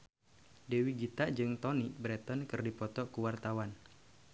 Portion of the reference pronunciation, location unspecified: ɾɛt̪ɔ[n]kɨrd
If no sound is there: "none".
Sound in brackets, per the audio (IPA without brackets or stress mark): n